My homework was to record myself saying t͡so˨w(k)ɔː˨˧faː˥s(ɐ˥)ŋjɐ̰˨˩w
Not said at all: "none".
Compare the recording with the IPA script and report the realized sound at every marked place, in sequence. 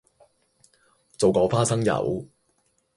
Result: k, ɐ˥

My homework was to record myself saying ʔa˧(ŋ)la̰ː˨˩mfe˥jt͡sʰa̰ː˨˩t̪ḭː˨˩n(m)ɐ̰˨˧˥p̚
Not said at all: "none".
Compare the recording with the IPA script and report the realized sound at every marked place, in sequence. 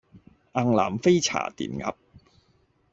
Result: ŋ, ŋ

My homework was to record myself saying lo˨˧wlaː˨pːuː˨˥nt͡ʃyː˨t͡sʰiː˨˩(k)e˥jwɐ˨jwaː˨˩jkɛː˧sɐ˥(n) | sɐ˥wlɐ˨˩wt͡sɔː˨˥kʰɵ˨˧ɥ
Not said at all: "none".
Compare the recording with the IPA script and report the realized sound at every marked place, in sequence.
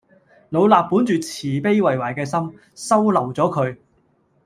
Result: p, m

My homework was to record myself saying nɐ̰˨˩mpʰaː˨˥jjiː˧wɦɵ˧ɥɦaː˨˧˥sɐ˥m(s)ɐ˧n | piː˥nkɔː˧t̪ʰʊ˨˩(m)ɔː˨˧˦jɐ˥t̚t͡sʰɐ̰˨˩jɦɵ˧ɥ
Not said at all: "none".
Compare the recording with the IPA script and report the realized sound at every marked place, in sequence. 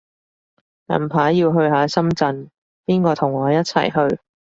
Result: t͡s, ŋ

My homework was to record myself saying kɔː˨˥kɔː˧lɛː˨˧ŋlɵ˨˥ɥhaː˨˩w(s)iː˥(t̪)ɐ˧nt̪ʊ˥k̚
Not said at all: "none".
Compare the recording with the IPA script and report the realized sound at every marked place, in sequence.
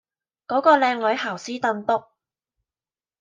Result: s, t̪

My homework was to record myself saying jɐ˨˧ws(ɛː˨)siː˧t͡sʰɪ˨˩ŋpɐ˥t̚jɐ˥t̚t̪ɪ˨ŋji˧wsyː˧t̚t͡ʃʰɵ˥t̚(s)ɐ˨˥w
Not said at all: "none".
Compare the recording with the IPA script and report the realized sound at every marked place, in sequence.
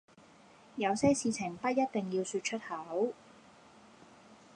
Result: ɛː˥, h

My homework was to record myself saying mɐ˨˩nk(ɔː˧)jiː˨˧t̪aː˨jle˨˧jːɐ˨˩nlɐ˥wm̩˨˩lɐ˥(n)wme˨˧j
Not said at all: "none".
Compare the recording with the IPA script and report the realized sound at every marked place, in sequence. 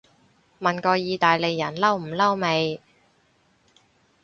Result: ɔː˧, none

